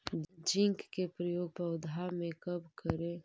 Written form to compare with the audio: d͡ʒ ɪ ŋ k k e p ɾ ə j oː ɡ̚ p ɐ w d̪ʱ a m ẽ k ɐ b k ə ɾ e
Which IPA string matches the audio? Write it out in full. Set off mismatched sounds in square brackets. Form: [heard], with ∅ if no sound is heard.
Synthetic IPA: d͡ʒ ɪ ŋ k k e p ɾ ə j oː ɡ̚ p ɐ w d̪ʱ a m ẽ k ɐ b k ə ɾ e

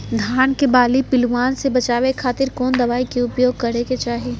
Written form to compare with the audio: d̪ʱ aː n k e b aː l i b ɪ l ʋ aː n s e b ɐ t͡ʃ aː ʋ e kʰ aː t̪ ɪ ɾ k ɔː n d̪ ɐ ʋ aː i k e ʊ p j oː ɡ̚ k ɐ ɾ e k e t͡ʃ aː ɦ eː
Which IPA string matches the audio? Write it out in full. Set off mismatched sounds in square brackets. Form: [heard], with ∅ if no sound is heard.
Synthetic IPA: d̪ʱ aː n k e b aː l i [p] ɪ l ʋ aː n s e b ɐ t͡ʃ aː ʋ e kʰ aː t̪ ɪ ɾ k ɔː n d̪ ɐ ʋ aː i k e ʊ p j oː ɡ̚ k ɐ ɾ e k e t͡ʃ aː ɦ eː

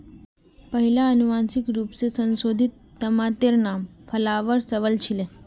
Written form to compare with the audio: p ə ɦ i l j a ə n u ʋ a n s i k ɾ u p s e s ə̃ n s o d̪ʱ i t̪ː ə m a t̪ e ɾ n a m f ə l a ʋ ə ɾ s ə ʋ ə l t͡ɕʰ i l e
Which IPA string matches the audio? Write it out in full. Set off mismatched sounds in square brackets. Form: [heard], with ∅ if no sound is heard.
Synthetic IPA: p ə ɦ i l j a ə n u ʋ a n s i k ɾ u p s e s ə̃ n s o d̪ʱ i t̪ː ə m a t̪ e ɾ n a m f ə l a ʋ ə ɾ s ə ʋ ə l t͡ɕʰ i l e

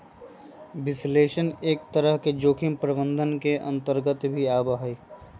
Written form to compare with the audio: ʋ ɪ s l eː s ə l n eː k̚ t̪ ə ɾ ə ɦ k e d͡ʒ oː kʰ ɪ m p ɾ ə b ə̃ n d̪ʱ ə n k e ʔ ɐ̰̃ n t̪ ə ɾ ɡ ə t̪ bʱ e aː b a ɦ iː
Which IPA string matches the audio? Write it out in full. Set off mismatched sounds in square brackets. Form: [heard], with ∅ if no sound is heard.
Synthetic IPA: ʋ ɪ s l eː [ʃ] ə [∅] n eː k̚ t̪ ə ɾ ə ɦ k e d͡ʒ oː kʰ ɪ m p ɾ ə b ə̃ n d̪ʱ ə n k e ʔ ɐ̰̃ n t̪ ə ɾ ɡ ə t̪ bʱ [i] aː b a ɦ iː

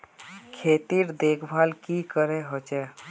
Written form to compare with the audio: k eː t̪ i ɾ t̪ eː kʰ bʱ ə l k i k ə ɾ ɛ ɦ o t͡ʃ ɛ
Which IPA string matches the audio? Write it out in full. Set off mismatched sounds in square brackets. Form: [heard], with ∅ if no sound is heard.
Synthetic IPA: [kʰ] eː t̪ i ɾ [d̪] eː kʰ bʱ [a] l k i k ə ɾ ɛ ɦ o t͡ʃ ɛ

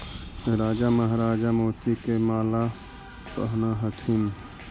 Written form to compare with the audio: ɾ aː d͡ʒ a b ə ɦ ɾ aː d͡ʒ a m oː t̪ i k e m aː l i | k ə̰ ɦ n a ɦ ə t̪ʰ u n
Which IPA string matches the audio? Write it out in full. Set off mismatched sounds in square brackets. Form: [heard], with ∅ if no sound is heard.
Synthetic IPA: ɾ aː d͡ʒ a [m] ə ɦ ɾ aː d͡ʒ a m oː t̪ i k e m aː l [a] | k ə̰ ɦ n a ɦ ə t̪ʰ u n

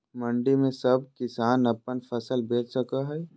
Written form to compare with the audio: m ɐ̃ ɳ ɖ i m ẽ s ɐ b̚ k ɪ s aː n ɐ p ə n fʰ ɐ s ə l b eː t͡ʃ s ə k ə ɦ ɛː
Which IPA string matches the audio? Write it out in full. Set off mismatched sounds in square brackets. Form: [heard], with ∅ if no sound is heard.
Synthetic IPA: m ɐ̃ ɳ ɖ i m ẽ s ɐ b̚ k ɪ s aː n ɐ p ə n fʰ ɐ s ə l b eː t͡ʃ s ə k [a] ɦ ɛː

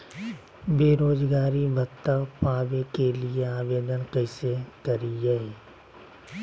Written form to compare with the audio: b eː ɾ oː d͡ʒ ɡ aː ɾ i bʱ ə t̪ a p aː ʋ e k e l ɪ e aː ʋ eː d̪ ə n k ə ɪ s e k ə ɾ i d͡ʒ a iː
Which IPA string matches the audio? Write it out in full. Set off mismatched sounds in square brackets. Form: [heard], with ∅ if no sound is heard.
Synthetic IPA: b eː ɾ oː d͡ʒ ɡ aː ɾ i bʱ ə t̪ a p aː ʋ e k e l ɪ e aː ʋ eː d̪ ə n k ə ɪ s e k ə ɾ i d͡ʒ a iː

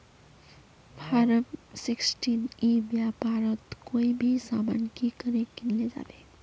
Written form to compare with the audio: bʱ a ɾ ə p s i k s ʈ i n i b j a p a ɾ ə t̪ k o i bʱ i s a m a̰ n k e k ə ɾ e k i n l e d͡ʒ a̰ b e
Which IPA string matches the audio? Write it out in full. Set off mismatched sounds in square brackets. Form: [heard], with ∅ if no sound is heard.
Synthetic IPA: bʱ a ɾ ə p s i k s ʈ i n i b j a p a ɾ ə t̪ k o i bʱ i s a m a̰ n k [i] k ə ɾ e k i n l e d͡ʒ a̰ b e

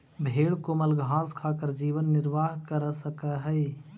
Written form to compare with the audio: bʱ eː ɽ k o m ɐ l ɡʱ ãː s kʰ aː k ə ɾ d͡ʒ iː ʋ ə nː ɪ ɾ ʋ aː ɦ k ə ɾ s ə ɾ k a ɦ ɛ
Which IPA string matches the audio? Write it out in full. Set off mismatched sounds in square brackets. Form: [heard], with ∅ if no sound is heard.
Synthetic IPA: bʱ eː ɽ k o m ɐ l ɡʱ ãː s kʰ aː k ə ɾ d͡ʒ iː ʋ ə nː ɪ ɾ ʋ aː ɦ k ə ɾ s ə [∅] k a ɦ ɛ

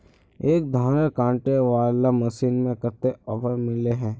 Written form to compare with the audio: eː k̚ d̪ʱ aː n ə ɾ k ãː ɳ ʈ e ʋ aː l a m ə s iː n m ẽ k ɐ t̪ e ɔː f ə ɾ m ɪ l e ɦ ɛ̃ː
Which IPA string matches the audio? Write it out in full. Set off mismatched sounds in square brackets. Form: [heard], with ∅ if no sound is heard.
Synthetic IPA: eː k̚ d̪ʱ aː n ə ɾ k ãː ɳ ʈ e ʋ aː l a m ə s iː n m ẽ k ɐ t̪ e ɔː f ə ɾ m ɪ l e ɦ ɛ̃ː

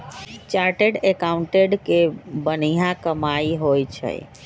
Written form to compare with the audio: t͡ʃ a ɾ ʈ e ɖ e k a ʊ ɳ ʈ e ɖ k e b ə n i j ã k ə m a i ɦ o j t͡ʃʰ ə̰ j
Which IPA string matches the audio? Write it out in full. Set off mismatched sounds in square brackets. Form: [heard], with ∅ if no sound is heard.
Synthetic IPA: t͡ʃ a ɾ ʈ e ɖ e k a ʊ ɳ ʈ e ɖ k e b ə n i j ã k ə m a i ɦ o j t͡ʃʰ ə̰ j

